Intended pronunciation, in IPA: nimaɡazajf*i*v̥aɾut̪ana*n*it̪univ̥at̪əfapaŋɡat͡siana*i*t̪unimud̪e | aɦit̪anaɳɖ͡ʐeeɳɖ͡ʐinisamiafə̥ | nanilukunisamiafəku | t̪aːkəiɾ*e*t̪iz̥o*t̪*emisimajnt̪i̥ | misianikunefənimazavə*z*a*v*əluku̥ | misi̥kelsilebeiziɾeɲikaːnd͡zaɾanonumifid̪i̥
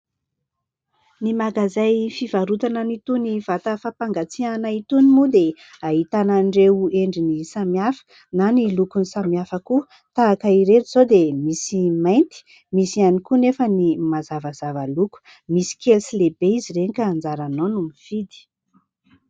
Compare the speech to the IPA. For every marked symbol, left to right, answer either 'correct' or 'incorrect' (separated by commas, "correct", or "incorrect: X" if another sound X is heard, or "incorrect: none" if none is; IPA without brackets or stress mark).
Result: correct, correct, correct, correct, incorrect: d̪, correct, correct